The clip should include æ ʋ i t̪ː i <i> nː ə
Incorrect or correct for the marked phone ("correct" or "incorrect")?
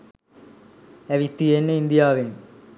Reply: incorrect